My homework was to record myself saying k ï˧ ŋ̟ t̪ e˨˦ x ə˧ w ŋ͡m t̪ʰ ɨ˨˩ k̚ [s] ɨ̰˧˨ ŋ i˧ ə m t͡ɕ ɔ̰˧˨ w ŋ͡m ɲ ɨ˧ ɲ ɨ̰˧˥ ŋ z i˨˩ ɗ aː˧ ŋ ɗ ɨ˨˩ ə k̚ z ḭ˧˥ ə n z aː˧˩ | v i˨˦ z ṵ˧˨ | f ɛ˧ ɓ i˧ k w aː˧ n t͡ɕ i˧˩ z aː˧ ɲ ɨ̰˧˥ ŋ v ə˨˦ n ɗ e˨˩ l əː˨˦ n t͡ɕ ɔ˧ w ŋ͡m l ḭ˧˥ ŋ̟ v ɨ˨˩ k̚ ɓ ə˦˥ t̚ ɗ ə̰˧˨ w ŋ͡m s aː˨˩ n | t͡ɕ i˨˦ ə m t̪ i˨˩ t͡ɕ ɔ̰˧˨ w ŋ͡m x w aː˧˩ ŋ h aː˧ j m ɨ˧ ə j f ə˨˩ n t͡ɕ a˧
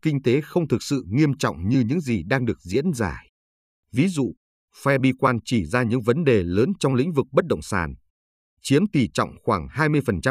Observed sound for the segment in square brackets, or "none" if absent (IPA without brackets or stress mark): s